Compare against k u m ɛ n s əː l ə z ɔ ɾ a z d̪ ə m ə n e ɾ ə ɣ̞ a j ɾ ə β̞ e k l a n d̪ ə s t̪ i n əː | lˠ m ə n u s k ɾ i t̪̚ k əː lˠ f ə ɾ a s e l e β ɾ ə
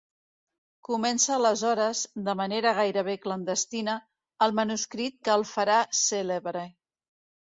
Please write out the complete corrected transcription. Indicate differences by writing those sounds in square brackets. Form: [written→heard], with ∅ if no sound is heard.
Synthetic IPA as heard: k u m ɛ n s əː l ə z ɔ ɾ [a→ə] z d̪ ə m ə n e ɾ ə ɣ̞ a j ɾ ə β̞ e k l [a→ə] n d̪ ə s t̪ i n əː | lˠ m ə n u s k ɾ i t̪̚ k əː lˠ f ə ɾ a s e l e β ɾ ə